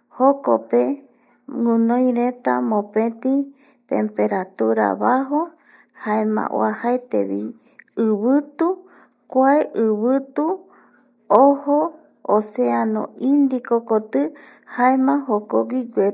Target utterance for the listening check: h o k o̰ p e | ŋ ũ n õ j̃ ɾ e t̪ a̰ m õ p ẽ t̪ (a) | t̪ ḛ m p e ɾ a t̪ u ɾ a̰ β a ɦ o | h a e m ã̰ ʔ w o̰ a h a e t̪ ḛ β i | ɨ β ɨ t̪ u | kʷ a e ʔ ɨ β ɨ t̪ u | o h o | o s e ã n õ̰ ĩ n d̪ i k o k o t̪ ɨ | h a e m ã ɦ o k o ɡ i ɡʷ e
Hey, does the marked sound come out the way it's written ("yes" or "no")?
no